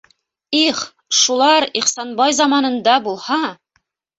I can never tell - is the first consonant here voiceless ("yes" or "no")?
yes